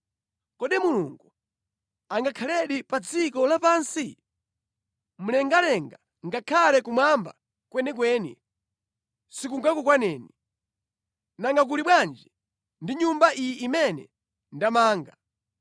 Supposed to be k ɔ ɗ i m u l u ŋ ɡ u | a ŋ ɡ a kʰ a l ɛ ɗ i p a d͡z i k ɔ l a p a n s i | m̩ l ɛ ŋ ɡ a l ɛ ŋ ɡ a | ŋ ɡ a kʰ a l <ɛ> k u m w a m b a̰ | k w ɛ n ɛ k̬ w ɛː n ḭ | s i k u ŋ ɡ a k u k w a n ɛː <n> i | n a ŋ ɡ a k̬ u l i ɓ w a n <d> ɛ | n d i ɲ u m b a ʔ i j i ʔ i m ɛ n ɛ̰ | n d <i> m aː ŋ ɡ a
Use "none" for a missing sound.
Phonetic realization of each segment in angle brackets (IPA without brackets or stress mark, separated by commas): ɛ, n, d͡ʒ, a